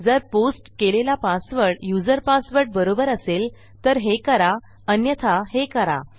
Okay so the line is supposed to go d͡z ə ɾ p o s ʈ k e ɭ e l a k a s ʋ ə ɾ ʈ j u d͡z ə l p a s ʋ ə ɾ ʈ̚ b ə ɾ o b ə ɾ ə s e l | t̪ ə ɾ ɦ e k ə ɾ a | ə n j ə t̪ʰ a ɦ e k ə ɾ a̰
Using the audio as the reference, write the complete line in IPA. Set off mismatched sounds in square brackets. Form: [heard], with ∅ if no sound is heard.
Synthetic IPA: d͡z ə ɾ p o s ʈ k e [l] e l a [p] a s ʋ ə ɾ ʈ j u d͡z ə [ɾ] p a s ʋ ə ɾ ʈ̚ b ə ɾ o b ə ɾ ə s e l | t̪ ə ɾ ɦ e k ə ɾ a | ə n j ə t̪ʰ a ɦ e k ə ɾ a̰